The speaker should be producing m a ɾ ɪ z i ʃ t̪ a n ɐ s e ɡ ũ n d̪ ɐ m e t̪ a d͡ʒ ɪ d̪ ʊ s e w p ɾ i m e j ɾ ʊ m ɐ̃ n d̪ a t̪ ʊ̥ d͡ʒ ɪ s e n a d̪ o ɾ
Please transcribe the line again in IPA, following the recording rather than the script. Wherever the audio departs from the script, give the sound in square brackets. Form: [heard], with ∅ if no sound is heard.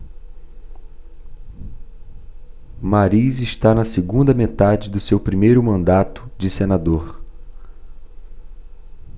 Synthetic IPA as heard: m a ɾ [i] z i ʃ t̪ a n ɐ s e ɡ ũ n d̪ ɐ m e t̪ a d͡ʒ ɪ d̪ ʊ s e w p ɾ i m e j ɾ ʊ m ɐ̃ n d̪ a t̪ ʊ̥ d͡ʒ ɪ s e n a d̪ o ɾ